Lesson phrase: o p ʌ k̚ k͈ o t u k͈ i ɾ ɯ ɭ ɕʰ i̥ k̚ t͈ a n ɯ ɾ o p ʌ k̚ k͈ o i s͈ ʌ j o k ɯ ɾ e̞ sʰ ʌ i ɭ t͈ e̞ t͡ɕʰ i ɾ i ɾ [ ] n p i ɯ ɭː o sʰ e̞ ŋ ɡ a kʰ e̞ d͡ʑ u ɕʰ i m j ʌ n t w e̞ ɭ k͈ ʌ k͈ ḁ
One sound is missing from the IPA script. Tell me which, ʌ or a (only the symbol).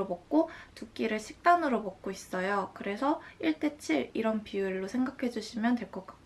ʌ